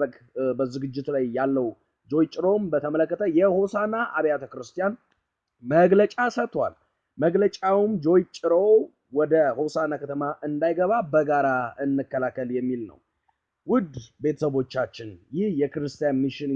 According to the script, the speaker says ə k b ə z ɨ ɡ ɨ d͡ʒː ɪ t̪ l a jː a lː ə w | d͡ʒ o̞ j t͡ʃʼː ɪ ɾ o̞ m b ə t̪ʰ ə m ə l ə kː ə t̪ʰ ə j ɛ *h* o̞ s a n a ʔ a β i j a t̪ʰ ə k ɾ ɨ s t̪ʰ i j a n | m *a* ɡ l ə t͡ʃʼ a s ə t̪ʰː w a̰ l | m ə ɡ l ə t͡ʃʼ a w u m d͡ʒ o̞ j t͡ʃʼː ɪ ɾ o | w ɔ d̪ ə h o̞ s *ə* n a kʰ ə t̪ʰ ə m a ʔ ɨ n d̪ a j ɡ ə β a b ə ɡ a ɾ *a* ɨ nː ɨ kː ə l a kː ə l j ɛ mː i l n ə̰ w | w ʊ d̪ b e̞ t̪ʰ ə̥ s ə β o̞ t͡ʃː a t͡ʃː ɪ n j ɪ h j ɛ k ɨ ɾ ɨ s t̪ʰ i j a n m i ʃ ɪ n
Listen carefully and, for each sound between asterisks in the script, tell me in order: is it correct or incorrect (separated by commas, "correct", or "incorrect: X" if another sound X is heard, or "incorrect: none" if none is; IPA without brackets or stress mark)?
correct, incorrect: ə, incorrect: a, correct